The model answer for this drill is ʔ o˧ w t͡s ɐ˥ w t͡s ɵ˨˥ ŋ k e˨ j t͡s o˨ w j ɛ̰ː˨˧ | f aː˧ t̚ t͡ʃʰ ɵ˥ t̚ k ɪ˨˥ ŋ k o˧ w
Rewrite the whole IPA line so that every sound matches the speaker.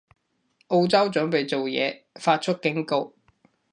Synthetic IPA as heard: ʔ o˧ w t͡s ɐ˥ w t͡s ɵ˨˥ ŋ p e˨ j t͡s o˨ w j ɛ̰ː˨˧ | f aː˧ t̚ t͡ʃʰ ɵ˥ t̚ k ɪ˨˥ ŋ k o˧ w